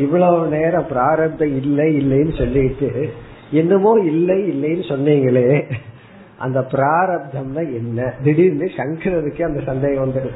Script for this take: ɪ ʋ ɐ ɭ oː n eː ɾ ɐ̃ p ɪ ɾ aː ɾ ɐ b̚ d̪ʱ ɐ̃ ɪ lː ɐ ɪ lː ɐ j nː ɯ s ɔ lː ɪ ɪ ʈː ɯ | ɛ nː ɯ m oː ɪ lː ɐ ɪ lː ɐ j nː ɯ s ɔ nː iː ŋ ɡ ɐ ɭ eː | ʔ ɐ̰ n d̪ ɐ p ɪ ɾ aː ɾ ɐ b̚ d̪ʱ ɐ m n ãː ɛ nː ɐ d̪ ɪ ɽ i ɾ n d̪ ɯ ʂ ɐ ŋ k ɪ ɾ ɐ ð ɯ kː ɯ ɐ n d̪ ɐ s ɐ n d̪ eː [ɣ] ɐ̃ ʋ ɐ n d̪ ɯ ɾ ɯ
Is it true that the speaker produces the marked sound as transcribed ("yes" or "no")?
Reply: yes